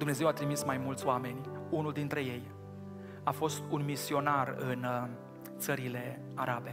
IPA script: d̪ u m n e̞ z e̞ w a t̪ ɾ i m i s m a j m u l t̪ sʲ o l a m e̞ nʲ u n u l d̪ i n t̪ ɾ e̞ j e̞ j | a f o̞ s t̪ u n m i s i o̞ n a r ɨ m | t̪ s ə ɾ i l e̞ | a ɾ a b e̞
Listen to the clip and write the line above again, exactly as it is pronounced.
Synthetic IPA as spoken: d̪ u m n e̞ z e̞ w a t̪ ɾ i m i s m a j m u l t̪ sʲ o a m e̞ nʲ u n u l d̪ i n t̪ ɾ e̞ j e̞ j | a f o̞ s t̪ u n m i s i o̞ n a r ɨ n | t̪ s ə ɾ i l e̞ | a ɾ a b e̞